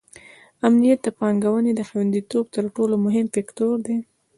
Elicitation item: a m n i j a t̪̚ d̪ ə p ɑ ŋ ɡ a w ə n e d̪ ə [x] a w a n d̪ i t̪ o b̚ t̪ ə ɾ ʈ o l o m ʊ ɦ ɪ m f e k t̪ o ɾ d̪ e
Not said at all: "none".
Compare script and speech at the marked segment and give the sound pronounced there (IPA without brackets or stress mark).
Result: x